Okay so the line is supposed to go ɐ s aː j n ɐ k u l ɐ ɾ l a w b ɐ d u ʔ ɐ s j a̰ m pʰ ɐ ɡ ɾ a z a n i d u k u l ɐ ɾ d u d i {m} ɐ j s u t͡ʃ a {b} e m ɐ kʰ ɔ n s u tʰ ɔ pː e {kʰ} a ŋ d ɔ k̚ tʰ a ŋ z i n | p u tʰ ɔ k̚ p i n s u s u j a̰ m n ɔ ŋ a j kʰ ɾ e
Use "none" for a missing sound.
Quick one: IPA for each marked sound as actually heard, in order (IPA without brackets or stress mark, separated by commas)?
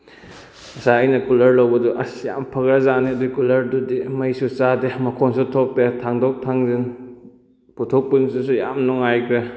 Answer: m, d, tʰ